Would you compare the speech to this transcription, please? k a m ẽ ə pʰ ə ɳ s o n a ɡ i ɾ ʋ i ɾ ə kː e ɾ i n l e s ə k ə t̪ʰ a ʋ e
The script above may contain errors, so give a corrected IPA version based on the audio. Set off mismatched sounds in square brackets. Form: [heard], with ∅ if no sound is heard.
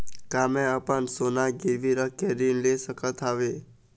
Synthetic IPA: k a m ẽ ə [p] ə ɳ s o n a ɡ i ɾ ʋ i ɾ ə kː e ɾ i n l e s ə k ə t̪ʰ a ʋ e